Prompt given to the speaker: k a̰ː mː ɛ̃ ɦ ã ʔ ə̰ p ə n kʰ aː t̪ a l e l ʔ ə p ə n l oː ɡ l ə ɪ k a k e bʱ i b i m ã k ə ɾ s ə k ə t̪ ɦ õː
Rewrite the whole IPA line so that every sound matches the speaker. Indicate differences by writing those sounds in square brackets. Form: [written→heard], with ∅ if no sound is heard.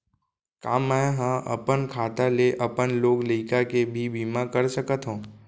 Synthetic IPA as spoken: k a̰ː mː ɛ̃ ɦ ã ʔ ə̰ p ə n kʰ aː t̪ a l e [l→∅] ʔ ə p ə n l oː ɡ l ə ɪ k a k e bʱ i b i m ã k ə ɾ s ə k ə t̪ ɦ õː

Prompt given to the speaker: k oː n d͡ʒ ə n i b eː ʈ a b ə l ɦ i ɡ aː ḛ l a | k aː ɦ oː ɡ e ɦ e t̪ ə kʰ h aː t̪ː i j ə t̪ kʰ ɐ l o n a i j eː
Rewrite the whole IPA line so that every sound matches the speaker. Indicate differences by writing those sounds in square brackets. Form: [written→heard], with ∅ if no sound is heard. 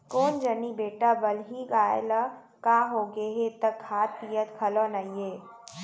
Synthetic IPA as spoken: k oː n d͡ʒ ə n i b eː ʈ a b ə l ɦ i ɡ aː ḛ l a | k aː ɦ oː ɡ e ɦ e t̪ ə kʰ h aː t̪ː i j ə t̪ kʰ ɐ l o n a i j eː

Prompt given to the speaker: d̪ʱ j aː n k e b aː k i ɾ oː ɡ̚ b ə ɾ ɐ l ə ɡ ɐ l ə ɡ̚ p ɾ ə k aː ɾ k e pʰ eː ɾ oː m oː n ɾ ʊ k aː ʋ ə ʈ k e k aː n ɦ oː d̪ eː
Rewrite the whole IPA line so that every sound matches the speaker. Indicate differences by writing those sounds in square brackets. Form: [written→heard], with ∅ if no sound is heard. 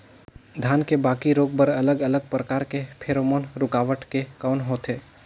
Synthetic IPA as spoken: d̪ʱ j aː n k e b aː k i ɾ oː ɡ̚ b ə ɾ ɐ l ə ɡ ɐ l ə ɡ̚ p ɾ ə k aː ɾ k e pʰ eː ɾ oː m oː n ɾ ʊ k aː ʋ ə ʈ k e k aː n ɦ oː [d̪→t̪] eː

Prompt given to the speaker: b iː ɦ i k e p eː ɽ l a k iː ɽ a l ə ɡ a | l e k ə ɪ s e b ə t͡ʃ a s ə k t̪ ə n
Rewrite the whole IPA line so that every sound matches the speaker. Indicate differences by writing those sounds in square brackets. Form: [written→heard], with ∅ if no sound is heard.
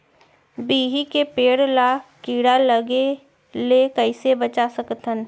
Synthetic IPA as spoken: b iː ɦ i k e p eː ɽ l a k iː ɽ a l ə ɡ [a→e] | l e k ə ɪ s e b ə t͡ʃ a s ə k t̪ ə n

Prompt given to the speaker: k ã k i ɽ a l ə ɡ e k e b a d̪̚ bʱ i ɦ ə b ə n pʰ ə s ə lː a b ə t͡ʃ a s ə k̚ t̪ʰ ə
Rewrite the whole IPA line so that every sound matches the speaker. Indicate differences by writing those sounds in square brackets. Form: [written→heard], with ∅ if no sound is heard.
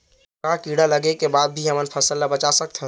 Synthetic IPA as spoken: k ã k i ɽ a l ə ɡ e k e b a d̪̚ bʱ i ɦ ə [b→m] ə n pʰ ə s ə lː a b ə t͡ʃ a s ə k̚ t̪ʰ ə

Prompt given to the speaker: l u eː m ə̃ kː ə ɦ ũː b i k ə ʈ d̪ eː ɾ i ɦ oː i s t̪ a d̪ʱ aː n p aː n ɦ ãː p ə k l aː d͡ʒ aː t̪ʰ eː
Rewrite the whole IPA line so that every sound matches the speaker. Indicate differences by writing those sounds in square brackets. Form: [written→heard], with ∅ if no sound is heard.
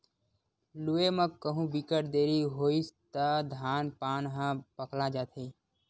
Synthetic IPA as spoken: l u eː m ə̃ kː ə ɦ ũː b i k ə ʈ d̪ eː ɾ i ɦ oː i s t̪ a d̪ʱ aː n p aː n ɦ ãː p ə k l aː d͡ʒ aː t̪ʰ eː

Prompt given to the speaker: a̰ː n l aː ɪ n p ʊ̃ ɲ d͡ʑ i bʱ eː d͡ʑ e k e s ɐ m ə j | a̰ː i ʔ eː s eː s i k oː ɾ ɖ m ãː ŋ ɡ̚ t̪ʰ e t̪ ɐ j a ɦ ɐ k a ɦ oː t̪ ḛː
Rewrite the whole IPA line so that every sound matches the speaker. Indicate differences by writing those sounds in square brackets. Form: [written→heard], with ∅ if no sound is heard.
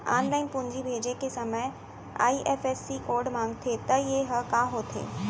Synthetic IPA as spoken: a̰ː n l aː ɪ n p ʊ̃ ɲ d͡ʑ i bʱ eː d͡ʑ e k e s ɐ m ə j | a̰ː i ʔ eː [s→f] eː s i k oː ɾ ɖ m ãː ŋ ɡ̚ t̪ʰ e t̪ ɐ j [a→e] ɦ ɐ k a ɦ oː [t̪→t̪ʰ] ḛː

